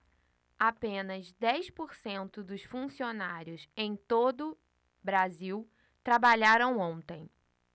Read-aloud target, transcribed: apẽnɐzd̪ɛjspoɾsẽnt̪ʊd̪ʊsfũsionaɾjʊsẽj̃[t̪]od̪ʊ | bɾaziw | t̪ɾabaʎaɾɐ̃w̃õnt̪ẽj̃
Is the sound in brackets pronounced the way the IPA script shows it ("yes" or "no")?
yes